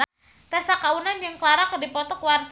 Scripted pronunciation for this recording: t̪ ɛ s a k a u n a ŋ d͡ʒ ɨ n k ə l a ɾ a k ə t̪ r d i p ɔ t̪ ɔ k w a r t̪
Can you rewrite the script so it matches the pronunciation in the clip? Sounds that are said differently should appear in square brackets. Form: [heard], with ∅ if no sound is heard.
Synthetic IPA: t̪ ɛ s a k a u n a [n] d͡ʒ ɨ [ŋ] k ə l a ɾ a k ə [∅] r d i p ɔ t̪ ɔ k w a r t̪